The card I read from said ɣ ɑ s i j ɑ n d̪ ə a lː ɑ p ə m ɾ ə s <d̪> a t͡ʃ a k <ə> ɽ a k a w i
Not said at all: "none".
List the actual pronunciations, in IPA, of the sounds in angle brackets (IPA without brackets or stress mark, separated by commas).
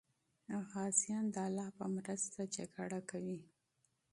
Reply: t̪, a